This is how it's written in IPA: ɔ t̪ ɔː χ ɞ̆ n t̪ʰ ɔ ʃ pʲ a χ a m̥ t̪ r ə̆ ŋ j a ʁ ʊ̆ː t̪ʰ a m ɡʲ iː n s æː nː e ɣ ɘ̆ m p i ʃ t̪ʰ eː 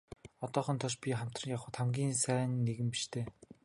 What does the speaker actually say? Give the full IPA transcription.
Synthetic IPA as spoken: ɔ t̪ ɔː χ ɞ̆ n t̪ʰ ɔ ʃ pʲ i χ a m̥ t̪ r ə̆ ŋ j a χ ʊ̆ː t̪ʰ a m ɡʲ iː n s æː nː e ɣ ɘ̆ m p i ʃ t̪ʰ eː